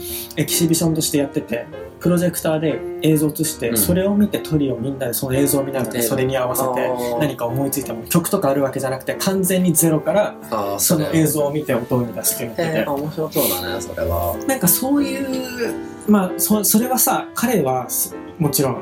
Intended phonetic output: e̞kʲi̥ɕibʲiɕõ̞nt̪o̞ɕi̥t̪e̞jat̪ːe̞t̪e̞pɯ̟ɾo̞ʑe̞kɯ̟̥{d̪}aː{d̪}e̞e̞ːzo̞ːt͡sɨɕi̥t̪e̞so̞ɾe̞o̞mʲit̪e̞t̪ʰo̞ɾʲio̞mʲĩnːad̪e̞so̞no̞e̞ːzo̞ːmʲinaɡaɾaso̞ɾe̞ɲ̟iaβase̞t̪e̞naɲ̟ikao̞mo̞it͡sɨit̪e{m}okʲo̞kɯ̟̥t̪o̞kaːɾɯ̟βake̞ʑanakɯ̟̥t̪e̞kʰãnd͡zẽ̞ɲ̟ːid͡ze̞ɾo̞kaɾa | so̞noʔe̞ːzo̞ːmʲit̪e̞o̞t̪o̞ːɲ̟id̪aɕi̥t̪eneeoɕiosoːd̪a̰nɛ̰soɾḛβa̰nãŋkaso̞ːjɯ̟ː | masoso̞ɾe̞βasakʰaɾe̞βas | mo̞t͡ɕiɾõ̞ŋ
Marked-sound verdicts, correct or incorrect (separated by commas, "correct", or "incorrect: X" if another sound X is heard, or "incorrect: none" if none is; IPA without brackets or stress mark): incorrect: t̪, correct, correct